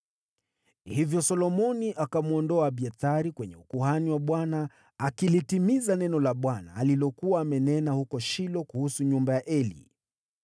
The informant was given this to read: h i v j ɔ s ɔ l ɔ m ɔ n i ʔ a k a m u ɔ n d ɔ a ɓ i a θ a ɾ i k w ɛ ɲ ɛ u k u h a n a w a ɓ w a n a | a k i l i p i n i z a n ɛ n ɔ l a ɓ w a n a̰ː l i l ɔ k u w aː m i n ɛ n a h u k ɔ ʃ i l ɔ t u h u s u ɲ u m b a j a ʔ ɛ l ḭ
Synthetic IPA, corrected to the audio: h i v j ɔ s ɔ l ɔ m ɔ n i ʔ a k a m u ɔ n d ɔ a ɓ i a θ a ɾ i k w ɛ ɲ ɛ u k u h a n i w a ɓ w a n a | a k i l i t i m i z a n ɛ n ɔ l a ɓ w a n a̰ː l i l ɔ k u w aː m ɛ n ɛ n a h u k ɔ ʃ i l ɔ k u h u s u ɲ u m b a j a ʔ ɛ l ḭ